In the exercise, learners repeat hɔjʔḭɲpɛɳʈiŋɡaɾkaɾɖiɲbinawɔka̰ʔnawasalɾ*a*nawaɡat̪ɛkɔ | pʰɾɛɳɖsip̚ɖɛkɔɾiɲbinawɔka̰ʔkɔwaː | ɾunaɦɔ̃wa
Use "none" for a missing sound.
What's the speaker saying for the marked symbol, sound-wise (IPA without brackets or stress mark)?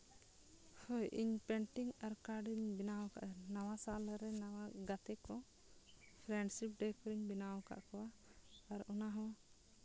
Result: ɛ